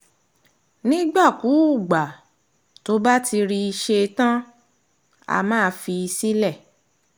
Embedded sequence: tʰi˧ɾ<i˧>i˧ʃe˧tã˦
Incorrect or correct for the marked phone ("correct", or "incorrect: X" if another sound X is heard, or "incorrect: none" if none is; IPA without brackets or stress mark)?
correct